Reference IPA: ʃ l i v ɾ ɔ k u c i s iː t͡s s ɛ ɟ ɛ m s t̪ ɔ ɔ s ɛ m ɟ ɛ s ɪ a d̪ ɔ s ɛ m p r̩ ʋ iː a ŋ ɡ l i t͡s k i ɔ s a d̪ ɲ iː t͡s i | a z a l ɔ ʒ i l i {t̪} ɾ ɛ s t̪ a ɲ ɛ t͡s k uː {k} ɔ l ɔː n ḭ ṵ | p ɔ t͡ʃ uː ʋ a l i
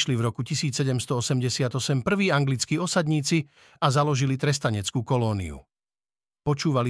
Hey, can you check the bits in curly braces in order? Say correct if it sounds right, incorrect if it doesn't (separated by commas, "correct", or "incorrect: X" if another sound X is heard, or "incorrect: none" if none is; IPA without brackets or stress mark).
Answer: correct, correct